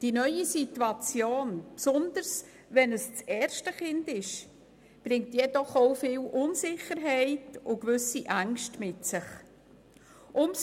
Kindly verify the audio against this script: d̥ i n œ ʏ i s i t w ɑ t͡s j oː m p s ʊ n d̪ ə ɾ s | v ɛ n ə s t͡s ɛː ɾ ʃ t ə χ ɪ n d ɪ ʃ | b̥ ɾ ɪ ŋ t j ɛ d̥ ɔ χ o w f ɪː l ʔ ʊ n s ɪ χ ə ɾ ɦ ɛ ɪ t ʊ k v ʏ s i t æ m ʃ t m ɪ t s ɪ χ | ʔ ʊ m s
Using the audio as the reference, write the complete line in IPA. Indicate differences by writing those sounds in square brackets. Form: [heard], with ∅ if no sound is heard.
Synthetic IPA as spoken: d̥ i n œ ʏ i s i t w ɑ t͡s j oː [n] p s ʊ n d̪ ə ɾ s | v ɛ n ə s t͡s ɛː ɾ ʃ t ə χ ɪ n d ɪ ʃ | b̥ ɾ ɪ ŋ t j ɛ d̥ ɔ χ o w f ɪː l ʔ ʊ n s ɪ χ ə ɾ ɦ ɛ ɪ t ʊ k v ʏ s i [ʔ] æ [ŋ] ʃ t m ɪ t s ɪ χ | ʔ ʊ m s